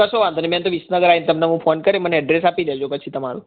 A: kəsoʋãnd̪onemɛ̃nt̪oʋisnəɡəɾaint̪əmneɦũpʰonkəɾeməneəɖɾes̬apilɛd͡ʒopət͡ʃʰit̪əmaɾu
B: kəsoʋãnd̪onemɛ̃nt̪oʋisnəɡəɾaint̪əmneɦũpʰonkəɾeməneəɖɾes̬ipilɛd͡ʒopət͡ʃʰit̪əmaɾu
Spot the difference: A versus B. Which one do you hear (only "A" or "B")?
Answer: A